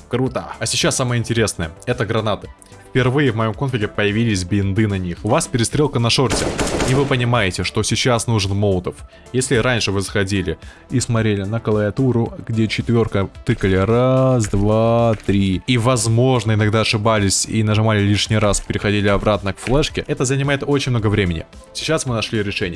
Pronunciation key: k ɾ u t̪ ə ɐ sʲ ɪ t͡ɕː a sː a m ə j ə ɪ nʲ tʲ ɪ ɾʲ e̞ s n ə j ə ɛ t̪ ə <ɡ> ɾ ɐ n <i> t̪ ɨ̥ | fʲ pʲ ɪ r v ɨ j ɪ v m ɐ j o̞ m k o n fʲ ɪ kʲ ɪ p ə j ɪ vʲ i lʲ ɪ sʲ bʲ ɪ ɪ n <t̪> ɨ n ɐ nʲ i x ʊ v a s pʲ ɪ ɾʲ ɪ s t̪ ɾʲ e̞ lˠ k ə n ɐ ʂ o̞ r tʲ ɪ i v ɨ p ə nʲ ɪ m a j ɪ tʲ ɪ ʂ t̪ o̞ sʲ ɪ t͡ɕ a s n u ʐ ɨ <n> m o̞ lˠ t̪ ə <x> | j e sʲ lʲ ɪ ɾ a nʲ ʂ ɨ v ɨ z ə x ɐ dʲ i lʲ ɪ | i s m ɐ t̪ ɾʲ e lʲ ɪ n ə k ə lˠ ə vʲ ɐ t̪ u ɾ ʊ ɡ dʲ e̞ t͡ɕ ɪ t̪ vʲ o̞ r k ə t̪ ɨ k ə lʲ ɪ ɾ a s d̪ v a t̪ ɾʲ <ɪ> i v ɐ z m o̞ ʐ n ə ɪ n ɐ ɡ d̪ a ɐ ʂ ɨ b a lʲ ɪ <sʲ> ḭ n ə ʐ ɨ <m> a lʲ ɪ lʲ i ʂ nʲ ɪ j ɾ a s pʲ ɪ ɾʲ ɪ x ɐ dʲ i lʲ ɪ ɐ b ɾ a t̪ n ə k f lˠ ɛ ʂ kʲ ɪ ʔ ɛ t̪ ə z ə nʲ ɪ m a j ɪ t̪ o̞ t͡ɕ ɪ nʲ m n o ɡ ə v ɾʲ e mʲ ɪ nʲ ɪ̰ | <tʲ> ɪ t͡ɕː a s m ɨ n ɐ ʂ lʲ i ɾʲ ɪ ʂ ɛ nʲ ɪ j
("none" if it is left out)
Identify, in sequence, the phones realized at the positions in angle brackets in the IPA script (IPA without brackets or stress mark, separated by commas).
ɡ, a, d̪, n, f, i, sʲ, m, sʲ